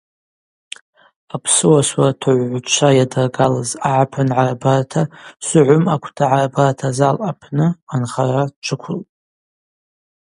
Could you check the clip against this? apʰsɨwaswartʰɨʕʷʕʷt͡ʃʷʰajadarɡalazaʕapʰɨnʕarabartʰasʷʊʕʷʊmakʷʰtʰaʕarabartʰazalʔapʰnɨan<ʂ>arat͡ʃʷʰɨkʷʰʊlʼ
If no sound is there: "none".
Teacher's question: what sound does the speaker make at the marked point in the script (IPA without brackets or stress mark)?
χ